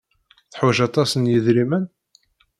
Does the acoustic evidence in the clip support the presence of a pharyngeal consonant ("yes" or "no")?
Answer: yes